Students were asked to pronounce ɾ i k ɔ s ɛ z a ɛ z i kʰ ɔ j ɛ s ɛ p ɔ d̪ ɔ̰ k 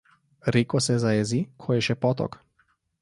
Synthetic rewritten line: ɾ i k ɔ s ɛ z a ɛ z i kʰ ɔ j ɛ ʃ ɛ p ɔ t̪ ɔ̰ k